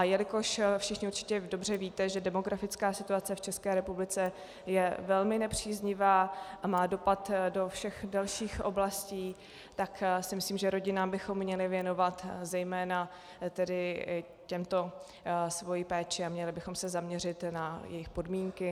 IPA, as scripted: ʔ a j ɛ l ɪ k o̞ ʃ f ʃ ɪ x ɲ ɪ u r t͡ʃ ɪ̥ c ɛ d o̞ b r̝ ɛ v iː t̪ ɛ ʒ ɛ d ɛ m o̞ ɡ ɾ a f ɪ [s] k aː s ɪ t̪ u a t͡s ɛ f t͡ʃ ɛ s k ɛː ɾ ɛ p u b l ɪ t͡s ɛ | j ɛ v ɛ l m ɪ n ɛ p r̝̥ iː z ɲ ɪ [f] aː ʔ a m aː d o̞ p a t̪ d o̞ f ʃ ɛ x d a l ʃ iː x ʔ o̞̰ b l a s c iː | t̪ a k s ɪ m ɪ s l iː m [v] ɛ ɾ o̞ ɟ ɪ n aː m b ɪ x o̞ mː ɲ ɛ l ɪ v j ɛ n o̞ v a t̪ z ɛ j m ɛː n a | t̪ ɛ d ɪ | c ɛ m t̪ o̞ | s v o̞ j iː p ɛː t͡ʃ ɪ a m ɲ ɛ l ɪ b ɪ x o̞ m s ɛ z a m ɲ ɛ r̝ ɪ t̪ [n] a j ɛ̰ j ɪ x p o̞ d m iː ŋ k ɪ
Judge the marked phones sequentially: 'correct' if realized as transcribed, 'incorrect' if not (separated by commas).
incorrect, incorrect, incorrect, correct